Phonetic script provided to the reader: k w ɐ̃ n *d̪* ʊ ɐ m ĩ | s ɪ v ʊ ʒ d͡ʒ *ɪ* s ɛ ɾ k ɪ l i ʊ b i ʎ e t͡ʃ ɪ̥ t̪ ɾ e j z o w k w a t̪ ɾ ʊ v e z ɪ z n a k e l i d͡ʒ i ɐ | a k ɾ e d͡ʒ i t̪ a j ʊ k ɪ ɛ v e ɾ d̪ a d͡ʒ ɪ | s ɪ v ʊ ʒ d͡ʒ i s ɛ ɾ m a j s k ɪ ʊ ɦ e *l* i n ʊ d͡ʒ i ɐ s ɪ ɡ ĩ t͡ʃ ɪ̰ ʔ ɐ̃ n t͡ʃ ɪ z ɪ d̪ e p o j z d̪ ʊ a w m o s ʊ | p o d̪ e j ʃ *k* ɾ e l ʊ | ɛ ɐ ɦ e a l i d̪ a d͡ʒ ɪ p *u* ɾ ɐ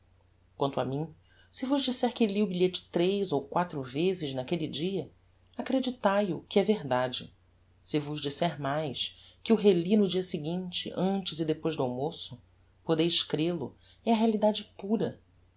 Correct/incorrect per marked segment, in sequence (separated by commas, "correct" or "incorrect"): incorrect, incorrect, correct, correct, correct